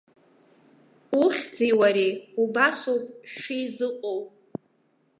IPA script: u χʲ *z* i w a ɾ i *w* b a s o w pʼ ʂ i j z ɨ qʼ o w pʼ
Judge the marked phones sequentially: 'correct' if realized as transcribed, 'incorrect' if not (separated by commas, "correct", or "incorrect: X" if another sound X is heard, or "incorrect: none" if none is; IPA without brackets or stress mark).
incorrect: d͡z, incorrect: u